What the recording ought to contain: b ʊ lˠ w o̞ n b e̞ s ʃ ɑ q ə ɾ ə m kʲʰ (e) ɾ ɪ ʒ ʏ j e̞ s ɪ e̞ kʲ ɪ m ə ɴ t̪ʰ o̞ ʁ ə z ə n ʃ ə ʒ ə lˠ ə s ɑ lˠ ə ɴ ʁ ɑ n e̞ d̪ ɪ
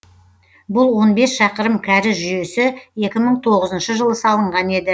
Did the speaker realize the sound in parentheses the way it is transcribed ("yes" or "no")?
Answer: no